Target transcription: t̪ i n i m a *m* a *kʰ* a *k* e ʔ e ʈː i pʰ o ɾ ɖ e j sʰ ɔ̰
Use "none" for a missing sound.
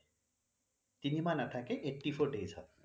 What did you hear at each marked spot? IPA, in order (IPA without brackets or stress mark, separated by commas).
n, ʈʰ, k